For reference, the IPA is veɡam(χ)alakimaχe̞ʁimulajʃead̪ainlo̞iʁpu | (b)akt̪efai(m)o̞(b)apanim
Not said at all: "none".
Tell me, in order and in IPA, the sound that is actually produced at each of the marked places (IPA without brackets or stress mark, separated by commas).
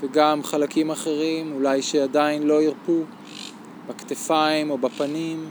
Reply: χ, b, m, b